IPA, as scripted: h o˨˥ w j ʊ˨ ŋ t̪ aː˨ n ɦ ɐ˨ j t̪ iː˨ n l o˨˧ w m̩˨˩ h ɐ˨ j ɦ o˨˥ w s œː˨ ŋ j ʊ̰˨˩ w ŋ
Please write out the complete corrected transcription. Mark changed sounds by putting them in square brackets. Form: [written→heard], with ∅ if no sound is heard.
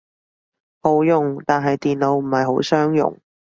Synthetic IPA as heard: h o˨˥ w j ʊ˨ ŋ t̪ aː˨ n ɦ ɐ˨ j t̪ iː˨ n l o˨˧ w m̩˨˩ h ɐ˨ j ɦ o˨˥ w s [œː˨→œː˥] ŋ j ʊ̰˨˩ [w→∅] ŋ